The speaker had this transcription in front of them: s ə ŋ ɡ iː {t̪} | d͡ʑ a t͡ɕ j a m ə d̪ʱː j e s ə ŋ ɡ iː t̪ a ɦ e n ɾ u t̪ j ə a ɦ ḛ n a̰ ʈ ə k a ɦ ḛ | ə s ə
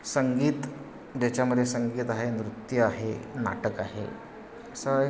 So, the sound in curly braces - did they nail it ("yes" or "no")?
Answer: yes